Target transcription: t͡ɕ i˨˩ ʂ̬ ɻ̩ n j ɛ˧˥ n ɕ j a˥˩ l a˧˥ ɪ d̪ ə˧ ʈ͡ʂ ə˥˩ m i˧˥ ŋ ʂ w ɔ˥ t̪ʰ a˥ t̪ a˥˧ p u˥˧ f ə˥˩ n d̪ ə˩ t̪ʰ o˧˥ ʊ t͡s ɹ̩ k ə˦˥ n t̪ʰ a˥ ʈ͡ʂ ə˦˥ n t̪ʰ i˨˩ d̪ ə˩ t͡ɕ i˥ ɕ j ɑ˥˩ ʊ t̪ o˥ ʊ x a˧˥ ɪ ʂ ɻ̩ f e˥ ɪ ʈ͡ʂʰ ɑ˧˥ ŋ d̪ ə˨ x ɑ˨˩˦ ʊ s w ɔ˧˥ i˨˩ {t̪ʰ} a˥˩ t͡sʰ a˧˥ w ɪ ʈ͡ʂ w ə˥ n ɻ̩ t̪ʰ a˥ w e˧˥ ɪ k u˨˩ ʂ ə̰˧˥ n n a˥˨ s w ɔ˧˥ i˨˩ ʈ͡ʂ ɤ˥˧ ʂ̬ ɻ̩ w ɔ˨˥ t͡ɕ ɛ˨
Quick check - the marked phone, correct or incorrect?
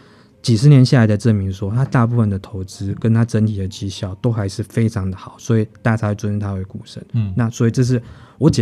incorrect